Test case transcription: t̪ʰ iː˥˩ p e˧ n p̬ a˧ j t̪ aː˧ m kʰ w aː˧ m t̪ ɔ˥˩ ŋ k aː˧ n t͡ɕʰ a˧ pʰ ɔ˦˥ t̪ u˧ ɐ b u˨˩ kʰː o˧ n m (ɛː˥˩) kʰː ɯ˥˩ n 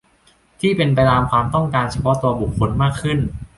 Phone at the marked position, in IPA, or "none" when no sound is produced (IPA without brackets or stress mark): aː˥˩